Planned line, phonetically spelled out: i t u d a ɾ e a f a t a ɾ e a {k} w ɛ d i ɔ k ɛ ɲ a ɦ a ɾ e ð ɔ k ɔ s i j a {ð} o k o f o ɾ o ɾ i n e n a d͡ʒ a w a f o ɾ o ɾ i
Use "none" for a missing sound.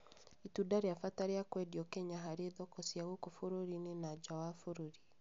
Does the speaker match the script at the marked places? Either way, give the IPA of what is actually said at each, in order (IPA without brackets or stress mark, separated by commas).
k, ɣ